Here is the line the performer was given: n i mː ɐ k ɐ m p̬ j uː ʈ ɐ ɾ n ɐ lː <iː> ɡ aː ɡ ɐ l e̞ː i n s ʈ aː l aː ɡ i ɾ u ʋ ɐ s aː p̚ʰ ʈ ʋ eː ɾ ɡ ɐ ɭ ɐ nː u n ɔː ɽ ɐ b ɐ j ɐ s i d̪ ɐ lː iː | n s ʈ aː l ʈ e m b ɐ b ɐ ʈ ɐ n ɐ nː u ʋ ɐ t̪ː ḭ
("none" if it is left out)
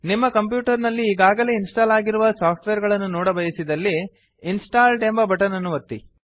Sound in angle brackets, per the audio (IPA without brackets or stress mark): iː